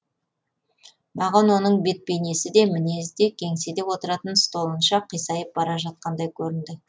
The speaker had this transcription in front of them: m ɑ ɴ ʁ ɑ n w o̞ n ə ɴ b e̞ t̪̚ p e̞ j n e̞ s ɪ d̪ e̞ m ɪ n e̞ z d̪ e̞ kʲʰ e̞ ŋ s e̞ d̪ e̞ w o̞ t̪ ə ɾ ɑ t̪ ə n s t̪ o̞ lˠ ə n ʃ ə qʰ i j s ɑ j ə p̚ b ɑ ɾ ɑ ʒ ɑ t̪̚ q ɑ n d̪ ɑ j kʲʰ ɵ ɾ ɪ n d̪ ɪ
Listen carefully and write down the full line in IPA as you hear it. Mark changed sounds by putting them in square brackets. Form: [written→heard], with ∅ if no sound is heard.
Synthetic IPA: m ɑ [ɴ→∅] ʁ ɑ n w o̞ n ə ɴ b e̞ t̪̚ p e̞ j n e̞ s ɪ d̪ e̞ m ɪ n e̞ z d̪ e̞ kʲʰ e̞ ŋ s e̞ d̪ e̞ w o̞ t̪ ə ɾ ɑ t̪ ə n s t̪ o̞ lˠ ə n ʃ [ə→ɑ] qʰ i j s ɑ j ə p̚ b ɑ ɾ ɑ ʒ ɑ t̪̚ q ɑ n d̪ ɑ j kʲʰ ɵ ɾ ɪ n d̪ ɪ